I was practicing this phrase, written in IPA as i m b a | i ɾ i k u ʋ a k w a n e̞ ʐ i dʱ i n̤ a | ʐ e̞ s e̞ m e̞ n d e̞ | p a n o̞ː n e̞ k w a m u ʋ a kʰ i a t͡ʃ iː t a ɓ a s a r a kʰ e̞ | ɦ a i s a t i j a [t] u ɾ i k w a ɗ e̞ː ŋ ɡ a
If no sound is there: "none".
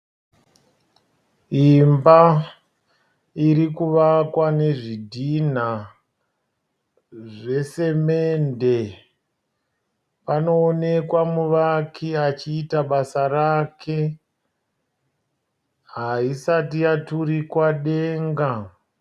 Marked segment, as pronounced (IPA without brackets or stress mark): t